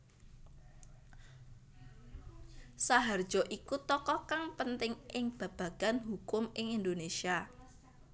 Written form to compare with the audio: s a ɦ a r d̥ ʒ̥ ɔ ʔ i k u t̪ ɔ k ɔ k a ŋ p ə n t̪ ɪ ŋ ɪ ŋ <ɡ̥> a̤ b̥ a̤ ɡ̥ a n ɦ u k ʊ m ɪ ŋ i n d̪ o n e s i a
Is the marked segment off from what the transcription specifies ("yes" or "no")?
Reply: yes